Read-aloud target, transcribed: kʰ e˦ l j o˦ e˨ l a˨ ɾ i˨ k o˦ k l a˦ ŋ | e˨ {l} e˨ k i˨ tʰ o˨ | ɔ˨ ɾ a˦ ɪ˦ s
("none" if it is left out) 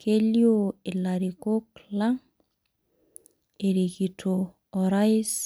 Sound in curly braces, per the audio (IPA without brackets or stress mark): ɾ